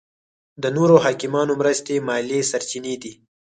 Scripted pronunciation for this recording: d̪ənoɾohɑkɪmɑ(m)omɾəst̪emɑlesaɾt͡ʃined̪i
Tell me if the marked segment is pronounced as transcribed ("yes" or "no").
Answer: no